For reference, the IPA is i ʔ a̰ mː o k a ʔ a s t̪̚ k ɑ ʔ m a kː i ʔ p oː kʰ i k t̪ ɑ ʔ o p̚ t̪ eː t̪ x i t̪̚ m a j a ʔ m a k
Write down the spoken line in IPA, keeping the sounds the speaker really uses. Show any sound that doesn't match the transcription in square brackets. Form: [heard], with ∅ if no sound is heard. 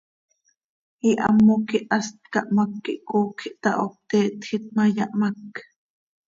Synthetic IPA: i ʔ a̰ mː o k [i] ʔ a s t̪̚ k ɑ ʔ m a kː i ʔ [k] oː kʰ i [ʔ] t̪ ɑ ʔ o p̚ t̪ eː t̪ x i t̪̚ m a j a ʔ m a k